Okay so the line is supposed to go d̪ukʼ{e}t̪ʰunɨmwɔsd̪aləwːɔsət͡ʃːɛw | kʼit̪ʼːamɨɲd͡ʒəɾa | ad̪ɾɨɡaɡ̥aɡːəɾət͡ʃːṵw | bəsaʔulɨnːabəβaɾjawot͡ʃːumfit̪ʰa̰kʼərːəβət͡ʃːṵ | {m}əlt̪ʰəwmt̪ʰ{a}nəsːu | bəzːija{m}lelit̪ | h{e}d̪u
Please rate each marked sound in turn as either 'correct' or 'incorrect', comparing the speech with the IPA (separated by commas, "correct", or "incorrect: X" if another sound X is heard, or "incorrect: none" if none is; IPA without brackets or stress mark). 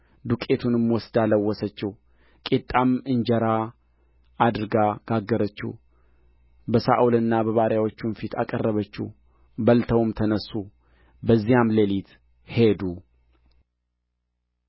correct, incorrect: b, incorrect: ə, correct, correct